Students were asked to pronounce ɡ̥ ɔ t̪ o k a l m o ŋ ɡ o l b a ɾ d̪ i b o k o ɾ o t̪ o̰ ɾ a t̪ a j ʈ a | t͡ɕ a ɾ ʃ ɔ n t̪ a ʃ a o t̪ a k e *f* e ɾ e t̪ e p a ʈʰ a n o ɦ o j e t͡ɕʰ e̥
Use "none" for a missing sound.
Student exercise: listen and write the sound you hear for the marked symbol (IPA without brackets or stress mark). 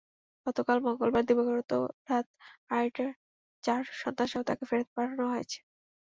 f